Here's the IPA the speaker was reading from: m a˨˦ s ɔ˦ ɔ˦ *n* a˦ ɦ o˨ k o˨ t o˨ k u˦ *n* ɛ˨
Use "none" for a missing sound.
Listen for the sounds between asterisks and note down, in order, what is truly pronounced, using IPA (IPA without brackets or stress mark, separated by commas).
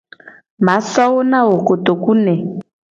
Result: n, n